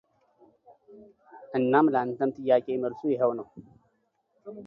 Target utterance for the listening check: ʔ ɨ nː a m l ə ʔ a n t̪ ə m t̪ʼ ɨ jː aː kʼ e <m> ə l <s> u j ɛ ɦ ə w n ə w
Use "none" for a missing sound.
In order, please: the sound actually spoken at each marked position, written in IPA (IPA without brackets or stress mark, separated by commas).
m, s